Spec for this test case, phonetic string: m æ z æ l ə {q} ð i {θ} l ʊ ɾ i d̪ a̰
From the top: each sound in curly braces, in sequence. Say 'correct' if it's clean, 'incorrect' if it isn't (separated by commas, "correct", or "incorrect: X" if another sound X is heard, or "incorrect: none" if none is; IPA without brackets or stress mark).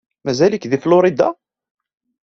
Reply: incorrect: k, incorrect: f